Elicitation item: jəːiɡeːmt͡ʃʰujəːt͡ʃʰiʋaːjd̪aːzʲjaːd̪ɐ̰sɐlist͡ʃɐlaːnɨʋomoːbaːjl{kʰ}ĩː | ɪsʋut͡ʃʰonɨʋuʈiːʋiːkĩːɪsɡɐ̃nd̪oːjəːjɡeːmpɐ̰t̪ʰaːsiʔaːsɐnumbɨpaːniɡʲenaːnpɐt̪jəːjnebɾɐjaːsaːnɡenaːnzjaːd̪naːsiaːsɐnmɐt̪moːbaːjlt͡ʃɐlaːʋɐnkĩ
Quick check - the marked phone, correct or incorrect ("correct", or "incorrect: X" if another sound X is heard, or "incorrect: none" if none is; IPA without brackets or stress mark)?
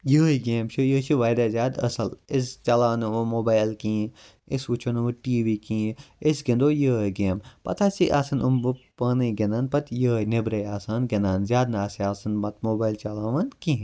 incorrect: k